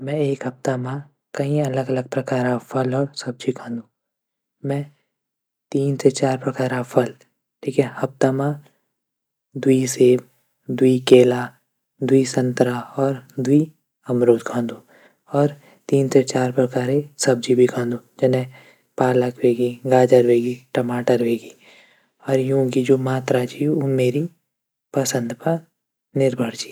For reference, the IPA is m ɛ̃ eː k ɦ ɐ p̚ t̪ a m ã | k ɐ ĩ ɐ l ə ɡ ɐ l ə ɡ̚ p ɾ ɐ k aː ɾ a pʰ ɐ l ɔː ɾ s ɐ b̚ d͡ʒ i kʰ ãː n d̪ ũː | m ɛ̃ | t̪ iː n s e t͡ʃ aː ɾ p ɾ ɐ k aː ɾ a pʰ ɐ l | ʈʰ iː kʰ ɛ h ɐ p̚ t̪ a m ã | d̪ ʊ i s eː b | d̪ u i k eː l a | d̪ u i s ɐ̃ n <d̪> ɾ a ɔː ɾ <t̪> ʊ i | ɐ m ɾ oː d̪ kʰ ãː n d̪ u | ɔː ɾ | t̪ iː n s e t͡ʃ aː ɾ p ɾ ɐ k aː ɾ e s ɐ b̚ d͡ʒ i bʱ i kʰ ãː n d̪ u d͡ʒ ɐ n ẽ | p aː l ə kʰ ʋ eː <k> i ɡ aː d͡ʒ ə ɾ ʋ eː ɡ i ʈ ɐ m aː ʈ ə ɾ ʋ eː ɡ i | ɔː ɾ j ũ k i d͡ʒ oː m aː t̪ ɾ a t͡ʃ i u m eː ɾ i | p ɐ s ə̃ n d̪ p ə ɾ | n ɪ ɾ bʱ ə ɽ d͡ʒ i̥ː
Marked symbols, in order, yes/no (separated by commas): no, no, no